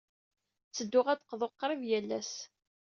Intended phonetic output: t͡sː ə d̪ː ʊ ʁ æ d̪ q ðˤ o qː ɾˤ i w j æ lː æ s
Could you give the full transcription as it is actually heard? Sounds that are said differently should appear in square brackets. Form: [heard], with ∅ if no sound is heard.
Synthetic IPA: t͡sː ə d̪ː ʊ ʁ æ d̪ q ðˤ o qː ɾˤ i [v] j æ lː æ s